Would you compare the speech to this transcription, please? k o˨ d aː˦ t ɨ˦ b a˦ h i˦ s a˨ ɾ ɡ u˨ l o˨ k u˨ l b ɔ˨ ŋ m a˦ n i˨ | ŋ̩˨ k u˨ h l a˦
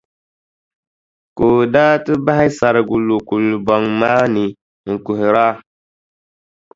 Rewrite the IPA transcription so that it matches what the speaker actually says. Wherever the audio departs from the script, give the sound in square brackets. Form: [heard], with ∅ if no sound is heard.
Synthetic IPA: k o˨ d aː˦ t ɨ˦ b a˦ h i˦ s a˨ ɾ ɡ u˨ l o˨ k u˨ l b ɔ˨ ŋ m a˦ n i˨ | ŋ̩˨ k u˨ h [ɾ] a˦